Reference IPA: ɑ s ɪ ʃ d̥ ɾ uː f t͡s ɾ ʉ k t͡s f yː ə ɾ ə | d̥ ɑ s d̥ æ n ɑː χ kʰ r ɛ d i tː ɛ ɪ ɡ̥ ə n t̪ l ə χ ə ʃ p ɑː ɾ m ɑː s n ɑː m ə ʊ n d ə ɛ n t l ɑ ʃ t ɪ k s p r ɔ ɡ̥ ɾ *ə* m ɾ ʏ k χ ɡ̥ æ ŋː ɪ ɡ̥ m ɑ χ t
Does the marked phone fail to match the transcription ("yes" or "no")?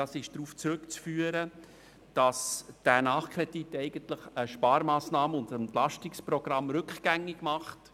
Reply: yes